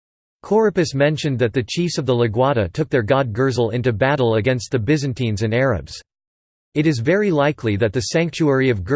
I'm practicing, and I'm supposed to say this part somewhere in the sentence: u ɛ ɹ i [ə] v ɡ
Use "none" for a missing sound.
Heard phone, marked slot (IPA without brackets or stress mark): ʌ